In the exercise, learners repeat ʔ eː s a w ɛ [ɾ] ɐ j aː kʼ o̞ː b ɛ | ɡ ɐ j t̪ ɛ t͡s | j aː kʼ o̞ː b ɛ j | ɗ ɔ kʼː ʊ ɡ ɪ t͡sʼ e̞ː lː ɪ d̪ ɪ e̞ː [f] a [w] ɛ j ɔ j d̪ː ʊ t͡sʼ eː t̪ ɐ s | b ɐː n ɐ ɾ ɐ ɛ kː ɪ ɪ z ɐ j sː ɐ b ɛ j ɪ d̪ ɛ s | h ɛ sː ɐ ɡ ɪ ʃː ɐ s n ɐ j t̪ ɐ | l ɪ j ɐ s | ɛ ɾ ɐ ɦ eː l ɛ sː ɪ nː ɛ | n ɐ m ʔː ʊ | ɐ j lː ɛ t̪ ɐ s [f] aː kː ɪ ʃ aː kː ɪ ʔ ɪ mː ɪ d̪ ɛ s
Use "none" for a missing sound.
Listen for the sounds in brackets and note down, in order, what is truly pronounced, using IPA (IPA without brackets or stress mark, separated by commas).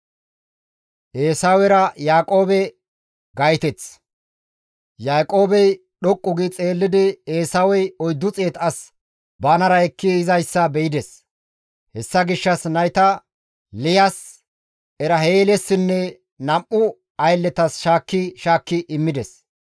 ɾ, s, w, ʃ